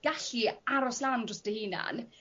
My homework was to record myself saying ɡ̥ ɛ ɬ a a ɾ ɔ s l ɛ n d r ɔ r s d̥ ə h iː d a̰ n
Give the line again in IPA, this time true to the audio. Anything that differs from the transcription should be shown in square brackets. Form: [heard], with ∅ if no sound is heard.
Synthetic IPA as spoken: ɡ̥ [a] ɬ [i] a ɾ ɔ s l [a] n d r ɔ [∅] s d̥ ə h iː [n] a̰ n